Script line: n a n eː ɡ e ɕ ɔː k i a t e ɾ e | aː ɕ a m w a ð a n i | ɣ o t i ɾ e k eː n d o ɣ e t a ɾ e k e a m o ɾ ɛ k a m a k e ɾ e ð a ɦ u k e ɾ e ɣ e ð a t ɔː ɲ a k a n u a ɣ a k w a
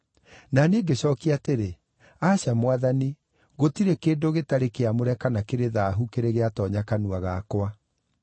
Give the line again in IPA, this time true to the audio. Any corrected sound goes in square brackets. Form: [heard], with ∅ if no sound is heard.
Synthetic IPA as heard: n a n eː ɡ e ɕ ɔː k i a t e ɾ e | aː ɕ a m w a ð a n i | ɣ o t i ɾ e k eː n d o ɣ e t a ɾ e k e a m o ɾ ɛ k a [n] a k e ɾ e ð a ɦ u k e ɾ e ɣ e [∅] a t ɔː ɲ a k a n u a ɣ a k w a